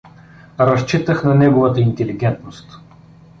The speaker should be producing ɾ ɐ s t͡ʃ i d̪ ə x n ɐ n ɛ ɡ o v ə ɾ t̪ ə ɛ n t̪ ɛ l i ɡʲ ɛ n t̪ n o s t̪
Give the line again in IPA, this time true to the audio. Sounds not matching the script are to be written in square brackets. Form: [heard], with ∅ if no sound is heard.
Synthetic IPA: ɾ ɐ s t͡ʃ i [t̪] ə x n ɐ n ɛ ɡ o v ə [∅] t̪ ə [i] n t̪ ɛ l i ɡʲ ɛ n t̪ n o s t̪